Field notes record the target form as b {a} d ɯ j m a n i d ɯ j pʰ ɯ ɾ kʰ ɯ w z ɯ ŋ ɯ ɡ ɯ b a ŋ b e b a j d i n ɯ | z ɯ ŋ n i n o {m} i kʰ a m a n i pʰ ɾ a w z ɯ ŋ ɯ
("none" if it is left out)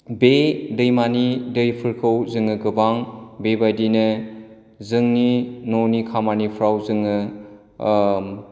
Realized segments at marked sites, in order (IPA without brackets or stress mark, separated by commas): e, n